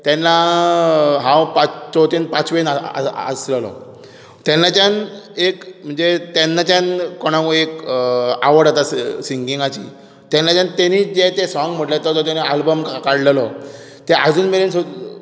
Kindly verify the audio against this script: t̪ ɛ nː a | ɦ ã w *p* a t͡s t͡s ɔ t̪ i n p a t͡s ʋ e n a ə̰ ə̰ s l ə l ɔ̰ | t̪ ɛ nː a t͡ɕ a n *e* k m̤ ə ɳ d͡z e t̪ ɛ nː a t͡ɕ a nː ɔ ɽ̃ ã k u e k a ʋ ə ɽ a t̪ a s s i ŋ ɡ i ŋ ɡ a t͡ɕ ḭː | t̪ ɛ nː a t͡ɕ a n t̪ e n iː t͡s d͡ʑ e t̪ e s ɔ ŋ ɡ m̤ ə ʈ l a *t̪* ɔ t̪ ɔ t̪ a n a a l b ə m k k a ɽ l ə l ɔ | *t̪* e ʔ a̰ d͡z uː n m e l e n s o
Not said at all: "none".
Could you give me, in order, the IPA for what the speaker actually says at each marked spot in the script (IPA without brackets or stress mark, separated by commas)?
p, e, t̪, t̪